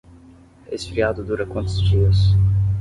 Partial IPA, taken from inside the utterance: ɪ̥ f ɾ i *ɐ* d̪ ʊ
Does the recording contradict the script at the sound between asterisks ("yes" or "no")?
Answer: yes